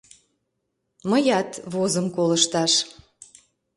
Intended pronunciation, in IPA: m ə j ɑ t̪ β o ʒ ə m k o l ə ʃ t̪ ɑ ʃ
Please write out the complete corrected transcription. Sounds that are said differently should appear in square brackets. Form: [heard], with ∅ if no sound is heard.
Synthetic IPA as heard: m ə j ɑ t̪ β o [z] ə m k o l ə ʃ t̪ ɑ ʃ